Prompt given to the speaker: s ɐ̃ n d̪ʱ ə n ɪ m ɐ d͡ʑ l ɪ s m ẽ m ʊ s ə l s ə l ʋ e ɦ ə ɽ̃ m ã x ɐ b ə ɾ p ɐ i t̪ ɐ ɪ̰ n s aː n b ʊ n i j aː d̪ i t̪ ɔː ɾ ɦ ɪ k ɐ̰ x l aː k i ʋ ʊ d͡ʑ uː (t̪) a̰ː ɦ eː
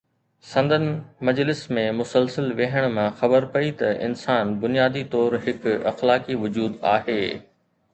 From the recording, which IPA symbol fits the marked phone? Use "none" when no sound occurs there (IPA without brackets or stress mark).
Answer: d̪